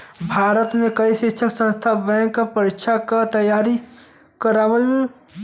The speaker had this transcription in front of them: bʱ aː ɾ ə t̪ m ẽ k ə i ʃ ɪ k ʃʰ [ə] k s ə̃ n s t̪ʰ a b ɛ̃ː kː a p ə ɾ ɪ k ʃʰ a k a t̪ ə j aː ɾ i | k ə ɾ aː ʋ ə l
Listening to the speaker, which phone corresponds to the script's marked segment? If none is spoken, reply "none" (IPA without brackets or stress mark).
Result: ə